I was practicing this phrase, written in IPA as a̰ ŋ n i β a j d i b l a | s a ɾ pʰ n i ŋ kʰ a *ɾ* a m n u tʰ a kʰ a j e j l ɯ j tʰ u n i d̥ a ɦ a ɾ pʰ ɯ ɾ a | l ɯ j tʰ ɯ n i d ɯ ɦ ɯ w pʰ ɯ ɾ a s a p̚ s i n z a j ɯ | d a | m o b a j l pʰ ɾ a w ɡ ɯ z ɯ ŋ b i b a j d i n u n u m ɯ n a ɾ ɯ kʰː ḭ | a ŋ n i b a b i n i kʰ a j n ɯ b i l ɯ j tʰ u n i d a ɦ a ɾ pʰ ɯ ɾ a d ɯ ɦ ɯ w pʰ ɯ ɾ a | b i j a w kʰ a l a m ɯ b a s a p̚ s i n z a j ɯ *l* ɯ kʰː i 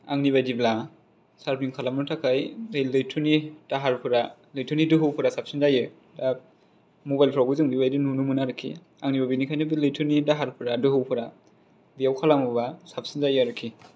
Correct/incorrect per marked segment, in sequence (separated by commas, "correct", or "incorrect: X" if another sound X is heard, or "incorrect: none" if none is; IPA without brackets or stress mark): incorrect: l, incorrect: ɾ